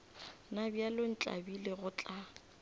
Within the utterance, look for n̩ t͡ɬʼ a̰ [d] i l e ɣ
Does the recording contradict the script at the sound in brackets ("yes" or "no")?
yes